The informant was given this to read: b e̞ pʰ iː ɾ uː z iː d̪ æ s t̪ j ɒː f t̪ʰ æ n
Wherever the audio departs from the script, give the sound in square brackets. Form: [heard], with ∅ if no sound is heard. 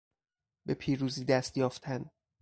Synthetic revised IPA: b e̞ pʰ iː ɾ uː z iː d̪ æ s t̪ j ɒː f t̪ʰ æ n